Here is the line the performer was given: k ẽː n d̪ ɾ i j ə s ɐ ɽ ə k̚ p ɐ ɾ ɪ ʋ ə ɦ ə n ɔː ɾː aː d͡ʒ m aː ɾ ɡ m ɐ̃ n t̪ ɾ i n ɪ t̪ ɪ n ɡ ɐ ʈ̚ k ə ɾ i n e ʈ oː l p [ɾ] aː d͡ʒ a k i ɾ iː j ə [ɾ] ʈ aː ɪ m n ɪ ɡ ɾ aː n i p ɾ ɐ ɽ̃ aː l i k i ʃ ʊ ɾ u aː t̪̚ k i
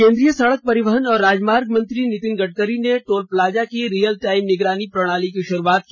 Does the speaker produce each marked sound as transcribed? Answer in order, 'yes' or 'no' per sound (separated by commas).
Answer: no, no